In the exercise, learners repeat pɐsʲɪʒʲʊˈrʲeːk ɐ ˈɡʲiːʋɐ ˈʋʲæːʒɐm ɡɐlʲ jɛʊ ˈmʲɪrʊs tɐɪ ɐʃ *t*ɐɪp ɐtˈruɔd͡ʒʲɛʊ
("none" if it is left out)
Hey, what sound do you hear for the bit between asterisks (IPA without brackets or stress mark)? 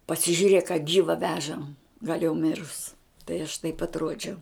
t